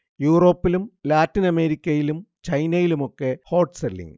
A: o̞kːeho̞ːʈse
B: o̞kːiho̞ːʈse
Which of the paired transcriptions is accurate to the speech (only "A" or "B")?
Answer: A